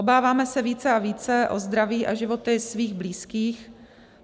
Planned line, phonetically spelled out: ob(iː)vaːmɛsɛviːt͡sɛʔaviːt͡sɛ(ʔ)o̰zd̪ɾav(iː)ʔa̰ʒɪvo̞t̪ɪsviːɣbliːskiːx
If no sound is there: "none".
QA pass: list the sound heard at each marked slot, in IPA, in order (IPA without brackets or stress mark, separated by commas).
aː, ʔ, iː